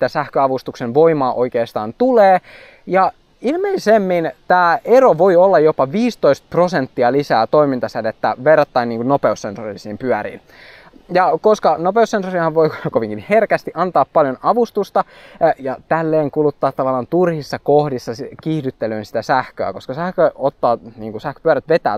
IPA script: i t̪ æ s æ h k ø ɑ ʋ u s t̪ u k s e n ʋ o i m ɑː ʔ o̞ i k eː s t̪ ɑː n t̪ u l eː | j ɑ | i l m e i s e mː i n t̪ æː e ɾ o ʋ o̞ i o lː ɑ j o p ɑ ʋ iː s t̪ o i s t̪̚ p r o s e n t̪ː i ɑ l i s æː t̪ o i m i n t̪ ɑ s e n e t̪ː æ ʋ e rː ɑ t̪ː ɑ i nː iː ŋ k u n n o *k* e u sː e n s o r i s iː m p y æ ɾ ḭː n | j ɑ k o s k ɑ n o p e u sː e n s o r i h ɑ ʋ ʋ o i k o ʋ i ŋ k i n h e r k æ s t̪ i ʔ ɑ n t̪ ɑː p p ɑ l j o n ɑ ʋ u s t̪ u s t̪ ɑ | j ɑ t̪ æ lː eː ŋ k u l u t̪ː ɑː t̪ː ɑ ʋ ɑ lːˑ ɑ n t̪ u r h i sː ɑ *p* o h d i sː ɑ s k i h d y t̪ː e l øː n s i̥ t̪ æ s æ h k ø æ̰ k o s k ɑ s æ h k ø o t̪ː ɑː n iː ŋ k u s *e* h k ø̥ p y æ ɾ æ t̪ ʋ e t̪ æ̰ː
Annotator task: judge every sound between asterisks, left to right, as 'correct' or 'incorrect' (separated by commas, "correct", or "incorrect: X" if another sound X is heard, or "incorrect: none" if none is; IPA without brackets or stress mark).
incorrect: p, incorrect: k, incorrect: æ